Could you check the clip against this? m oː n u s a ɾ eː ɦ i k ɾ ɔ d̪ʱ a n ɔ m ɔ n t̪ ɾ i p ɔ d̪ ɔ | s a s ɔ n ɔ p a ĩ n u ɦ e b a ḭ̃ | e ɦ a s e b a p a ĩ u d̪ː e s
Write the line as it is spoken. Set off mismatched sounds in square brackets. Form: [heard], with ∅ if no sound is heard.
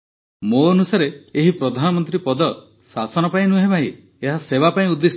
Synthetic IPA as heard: m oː n u s a ɾ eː ɦ i [p] ɾ ɔ d̪ʱ a n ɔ m ɔ n t̪ ɾ i p ɔ d̪ ɔ | s a s ɔ n ɔ p a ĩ n u ɦ e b a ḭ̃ | e ɦ a s e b a p a ĩ u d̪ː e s